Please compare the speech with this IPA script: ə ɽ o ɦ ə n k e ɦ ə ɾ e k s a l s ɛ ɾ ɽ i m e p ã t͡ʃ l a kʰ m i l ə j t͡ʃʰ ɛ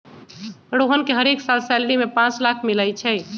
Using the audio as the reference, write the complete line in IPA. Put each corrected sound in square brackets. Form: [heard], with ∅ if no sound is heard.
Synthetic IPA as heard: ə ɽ o ɦ ə n k e ɦ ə ɾ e k s a l s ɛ [l] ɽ i m e p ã t͡ʃ l a kʰ m i l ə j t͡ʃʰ ɛ